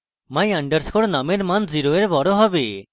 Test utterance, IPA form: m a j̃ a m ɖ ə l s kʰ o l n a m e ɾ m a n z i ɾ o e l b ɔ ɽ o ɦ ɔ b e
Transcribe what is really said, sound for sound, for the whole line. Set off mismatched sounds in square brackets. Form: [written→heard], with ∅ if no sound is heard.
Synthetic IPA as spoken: m a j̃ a [m→ɳ] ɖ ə [l→ɾ] s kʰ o [l→ɽ] n a m e ɾ m a n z i ɾ o e [l→ɾ] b ɔ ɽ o ɦ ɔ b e